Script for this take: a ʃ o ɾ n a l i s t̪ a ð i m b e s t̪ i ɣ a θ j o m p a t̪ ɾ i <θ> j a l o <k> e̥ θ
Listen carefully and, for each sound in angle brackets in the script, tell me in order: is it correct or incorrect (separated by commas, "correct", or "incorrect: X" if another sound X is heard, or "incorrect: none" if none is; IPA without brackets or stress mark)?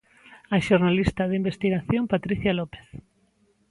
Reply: correct, incorrect: p